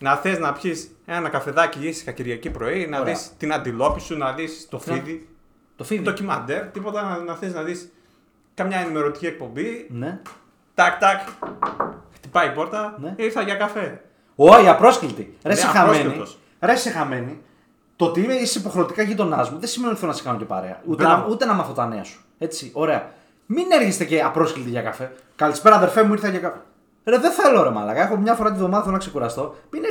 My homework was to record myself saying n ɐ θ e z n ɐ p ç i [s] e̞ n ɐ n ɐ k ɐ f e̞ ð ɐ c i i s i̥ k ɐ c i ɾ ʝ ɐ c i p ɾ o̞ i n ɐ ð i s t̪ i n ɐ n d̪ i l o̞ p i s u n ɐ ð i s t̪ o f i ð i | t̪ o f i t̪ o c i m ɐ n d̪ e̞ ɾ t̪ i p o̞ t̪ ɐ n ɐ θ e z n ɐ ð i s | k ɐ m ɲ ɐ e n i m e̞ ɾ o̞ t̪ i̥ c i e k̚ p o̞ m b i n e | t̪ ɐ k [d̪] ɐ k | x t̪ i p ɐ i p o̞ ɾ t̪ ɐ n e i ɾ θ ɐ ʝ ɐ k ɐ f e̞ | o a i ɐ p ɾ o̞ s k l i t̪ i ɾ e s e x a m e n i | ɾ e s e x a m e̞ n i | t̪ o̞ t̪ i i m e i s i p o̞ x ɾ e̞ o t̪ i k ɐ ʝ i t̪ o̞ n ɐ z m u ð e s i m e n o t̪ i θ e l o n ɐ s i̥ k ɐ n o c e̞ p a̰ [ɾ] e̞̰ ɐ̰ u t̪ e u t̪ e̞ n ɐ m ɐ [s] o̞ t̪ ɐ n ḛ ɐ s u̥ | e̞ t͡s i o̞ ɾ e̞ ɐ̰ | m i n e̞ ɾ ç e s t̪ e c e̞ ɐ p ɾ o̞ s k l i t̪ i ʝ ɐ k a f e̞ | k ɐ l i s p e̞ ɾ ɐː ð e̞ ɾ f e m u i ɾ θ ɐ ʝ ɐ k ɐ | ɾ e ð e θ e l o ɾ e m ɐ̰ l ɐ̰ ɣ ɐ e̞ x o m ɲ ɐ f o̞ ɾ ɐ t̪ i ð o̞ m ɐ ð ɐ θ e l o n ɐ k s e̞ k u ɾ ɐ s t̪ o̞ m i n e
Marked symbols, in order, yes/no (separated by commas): yes, no, yes, no